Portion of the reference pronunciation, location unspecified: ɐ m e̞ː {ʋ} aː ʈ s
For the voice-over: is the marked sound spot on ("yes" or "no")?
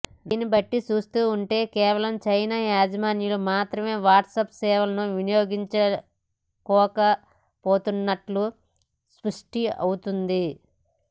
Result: yes